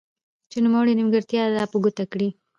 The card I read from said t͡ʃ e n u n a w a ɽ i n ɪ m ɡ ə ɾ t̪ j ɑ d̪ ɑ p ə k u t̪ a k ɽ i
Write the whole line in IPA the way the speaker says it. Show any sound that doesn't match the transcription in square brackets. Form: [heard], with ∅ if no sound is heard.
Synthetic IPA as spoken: t͡ʃ e n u [m] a w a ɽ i n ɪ m ɡ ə ɾ t̪ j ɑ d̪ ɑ p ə [ɡ] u t̪ a k ɽ i